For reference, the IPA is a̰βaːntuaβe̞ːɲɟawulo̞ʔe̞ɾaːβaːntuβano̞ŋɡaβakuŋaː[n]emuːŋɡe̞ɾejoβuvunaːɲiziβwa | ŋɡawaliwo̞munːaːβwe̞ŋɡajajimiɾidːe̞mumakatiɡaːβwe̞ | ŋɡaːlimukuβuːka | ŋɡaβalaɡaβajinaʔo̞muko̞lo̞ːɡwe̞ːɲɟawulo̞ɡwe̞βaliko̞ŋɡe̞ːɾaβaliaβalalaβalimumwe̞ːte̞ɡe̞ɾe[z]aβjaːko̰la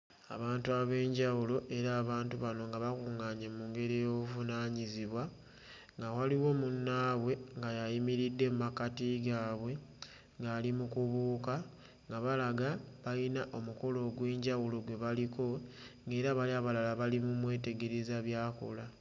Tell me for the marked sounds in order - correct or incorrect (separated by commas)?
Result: incorrect, correct